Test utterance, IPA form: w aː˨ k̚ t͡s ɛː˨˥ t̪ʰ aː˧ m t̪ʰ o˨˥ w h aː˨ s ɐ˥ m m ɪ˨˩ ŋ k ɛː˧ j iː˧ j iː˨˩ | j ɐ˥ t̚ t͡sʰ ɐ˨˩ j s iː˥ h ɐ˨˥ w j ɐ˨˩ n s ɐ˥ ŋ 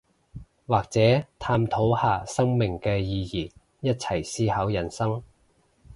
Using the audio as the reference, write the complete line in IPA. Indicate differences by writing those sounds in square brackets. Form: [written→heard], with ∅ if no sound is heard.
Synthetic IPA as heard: w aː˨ k̚ t͡s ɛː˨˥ t̪ʰ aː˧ m t̪ʰ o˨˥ w h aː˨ s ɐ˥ [m→ŋ] m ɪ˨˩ ŋ k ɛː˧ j iː˧ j iː˨˩ | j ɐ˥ t̚ t͡sʰ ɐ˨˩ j s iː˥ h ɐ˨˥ w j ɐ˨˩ n s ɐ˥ ŋ